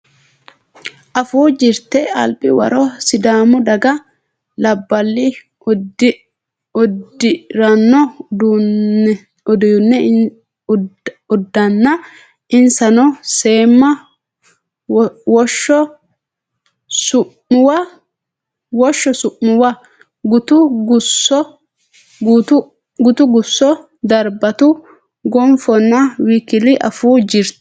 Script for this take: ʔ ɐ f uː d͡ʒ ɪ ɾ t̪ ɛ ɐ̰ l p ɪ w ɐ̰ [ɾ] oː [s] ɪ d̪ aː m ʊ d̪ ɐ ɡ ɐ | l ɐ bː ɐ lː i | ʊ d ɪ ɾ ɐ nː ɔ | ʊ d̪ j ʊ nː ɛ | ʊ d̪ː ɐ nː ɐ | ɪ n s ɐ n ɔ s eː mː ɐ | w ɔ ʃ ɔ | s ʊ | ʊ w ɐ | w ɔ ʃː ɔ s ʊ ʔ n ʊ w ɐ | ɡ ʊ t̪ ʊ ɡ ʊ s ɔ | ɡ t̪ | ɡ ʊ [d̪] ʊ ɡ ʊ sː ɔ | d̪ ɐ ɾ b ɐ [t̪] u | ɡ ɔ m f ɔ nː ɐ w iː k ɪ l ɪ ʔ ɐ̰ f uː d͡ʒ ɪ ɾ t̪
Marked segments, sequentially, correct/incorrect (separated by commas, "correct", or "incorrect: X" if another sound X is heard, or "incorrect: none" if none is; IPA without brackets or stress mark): correct, correct, incorrect: t̪, correct